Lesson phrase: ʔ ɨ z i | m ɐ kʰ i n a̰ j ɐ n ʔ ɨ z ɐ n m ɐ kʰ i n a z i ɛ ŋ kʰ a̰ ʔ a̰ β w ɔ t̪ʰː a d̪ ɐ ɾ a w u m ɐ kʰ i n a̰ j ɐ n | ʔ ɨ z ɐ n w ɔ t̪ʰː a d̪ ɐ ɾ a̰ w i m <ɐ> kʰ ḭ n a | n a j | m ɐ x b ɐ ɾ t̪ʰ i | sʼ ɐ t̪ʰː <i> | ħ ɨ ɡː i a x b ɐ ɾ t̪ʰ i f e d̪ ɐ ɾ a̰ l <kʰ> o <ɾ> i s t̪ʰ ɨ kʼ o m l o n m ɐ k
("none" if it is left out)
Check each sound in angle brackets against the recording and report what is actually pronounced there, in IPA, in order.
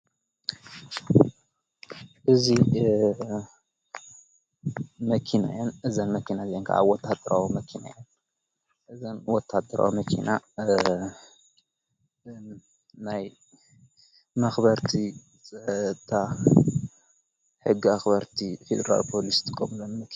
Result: ɐ, a, pʰ, l

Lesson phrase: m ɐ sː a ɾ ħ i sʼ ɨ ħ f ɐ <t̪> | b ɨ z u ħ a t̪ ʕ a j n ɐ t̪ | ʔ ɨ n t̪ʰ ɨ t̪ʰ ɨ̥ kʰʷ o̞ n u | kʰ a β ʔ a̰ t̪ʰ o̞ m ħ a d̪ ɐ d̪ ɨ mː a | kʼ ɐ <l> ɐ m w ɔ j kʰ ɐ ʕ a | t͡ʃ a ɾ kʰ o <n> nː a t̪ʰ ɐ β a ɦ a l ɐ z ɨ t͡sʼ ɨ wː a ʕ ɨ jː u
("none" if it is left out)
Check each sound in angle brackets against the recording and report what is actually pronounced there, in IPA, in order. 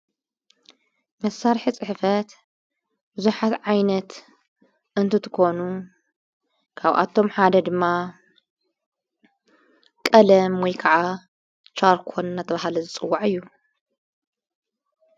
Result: t̪, l, n

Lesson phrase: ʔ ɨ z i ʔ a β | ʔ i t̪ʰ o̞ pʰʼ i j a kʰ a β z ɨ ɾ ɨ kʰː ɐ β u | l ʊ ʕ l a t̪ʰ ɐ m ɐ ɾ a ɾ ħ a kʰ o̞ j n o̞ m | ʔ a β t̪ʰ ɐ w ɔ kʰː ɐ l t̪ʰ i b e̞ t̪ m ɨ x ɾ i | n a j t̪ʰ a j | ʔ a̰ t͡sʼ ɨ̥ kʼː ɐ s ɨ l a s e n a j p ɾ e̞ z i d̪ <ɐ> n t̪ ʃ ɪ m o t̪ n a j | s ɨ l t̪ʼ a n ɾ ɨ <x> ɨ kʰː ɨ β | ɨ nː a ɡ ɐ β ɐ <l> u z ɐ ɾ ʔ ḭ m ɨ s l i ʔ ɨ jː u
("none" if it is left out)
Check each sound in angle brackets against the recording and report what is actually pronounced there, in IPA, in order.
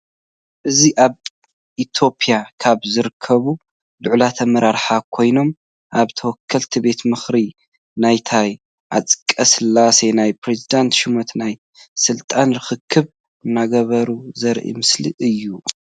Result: a, x, ɾ

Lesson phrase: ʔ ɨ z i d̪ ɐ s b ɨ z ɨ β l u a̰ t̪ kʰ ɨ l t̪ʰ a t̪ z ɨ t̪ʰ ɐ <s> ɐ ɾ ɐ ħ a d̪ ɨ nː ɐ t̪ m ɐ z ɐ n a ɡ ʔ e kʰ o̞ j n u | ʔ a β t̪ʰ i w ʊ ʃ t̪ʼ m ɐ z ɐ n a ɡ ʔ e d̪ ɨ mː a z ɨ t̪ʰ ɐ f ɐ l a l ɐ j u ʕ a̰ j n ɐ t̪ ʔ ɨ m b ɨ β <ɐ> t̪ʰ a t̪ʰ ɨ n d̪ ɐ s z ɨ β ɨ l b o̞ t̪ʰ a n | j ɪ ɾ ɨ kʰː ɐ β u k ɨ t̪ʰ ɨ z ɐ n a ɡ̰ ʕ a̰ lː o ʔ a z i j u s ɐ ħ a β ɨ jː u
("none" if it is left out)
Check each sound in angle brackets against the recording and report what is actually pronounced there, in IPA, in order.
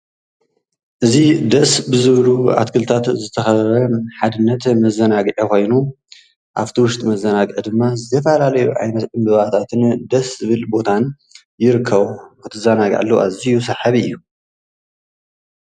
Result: x, a

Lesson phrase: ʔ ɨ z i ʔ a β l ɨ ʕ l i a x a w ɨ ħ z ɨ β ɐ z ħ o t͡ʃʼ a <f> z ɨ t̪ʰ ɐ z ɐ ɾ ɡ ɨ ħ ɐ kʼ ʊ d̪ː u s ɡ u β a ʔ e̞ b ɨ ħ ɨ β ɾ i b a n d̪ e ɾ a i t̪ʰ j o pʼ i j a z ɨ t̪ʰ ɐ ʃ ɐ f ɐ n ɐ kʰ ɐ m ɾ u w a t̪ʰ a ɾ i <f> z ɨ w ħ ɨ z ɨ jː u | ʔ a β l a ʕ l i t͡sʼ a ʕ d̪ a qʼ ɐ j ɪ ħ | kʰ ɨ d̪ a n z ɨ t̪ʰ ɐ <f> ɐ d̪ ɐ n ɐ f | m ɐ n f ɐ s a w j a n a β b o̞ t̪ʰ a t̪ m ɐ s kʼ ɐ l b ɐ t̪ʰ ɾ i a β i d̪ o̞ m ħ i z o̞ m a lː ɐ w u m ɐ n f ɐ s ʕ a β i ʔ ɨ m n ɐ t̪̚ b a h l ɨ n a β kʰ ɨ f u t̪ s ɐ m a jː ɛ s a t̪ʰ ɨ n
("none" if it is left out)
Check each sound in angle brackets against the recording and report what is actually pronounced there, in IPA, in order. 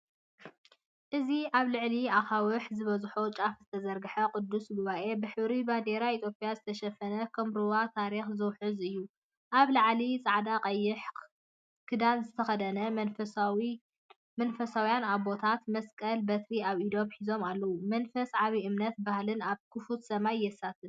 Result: f, x, x

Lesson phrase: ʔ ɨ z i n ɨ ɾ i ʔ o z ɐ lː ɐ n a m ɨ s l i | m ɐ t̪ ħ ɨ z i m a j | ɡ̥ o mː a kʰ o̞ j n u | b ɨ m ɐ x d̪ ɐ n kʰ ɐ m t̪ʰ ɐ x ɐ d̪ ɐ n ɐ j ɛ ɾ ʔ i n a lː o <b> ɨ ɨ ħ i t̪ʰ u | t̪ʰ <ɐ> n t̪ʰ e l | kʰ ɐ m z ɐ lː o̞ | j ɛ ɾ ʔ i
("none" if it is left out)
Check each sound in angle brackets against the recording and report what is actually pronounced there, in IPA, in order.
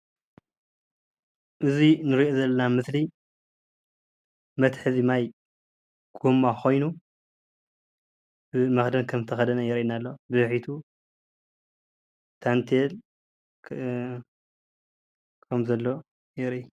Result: b, a

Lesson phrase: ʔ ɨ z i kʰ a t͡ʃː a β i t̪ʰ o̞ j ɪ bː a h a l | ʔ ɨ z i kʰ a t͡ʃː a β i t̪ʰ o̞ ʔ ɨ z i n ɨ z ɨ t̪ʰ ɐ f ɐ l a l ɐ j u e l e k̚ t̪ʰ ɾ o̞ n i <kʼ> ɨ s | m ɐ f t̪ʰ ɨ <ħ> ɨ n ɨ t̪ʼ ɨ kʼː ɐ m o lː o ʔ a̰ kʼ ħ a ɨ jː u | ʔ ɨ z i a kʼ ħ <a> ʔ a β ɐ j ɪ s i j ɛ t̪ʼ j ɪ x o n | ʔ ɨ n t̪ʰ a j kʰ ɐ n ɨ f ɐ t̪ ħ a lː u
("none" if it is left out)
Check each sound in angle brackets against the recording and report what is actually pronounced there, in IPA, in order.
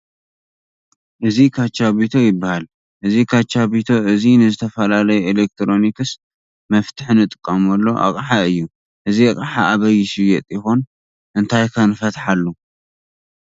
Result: k, ħ, a

